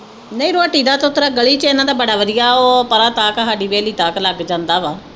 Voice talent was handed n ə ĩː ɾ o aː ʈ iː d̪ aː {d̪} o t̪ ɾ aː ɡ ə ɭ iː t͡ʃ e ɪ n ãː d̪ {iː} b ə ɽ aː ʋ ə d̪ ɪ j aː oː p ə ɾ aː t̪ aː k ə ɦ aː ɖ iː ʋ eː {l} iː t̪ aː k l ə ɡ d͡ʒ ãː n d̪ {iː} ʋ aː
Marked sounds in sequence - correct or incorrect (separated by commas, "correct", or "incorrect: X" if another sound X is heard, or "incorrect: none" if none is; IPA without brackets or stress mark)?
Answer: incorrect: t̪, incorrect: aː, correct, incorrect: aː